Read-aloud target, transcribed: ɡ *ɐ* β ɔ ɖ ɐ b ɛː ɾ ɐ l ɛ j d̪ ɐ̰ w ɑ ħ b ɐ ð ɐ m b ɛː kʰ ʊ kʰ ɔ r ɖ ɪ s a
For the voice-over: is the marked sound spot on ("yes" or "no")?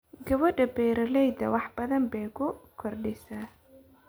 yes